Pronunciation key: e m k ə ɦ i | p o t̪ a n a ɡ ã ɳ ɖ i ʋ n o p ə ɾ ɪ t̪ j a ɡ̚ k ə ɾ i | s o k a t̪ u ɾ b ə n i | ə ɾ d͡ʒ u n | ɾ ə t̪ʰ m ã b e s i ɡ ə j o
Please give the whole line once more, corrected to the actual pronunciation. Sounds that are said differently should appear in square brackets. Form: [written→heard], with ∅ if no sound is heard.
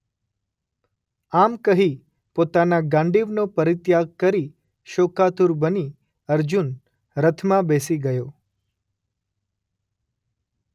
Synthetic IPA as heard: [e→a] m k ə ɦ i | p o t̪ a n a ɡ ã ɳ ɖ i ʋ n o p ə ɾ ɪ t̪ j a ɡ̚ k ə ɾ i | [s→ʃ] o k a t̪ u ɾ b ə n i | ə ɾ d͡ʒ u n | ɾ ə t̪ʰ m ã b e s i ɡ ə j o